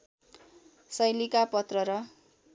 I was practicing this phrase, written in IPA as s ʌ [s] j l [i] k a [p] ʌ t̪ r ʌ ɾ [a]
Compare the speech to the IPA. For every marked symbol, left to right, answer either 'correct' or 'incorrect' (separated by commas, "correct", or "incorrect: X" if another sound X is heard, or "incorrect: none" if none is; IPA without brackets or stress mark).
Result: incorrect: none, correct, correct, incorrect: ʌ